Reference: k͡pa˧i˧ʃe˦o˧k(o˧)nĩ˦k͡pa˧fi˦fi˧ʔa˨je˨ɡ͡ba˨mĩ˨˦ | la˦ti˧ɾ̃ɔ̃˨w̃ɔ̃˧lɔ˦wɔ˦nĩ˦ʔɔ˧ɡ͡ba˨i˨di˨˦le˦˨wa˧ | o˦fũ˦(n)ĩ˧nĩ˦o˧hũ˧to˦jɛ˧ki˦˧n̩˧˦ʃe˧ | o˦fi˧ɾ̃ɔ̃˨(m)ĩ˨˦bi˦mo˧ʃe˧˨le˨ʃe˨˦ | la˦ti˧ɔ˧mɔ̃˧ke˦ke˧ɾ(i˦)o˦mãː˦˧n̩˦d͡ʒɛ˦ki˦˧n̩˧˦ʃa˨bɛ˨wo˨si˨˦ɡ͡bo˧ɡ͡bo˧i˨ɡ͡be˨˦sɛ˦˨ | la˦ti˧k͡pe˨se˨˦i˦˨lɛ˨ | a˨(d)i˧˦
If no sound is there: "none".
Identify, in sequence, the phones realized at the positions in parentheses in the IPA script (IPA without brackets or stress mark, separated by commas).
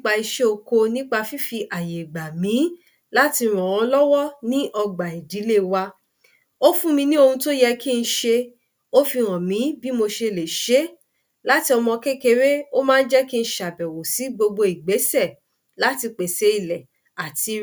o˧, m, m, e˦, t